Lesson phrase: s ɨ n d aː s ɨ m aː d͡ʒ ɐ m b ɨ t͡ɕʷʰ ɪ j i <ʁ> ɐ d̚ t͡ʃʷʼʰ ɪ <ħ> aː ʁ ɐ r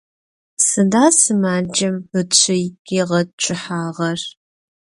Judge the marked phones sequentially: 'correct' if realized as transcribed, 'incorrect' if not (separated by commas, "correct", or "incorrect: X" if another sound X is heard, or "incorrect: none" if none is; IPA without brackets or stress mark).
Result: correct, correct